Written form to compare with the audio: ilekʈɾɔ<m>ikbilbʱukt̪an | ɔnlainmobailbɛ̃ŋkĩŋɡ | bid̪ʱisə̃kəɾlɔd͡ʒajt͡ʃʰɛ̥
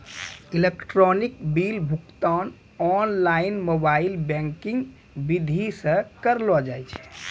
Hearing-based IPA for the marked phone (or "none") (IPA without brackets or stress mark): n